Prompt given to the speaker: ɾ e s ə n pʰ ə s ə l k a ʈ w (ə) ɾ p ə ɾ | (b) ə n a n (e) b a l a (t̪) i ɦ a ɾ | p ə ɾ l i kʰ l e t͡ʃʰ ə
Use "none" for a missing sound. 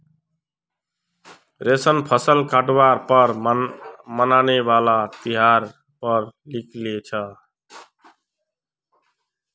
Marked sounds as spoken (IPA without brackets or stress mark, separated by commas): a, m, e, t̪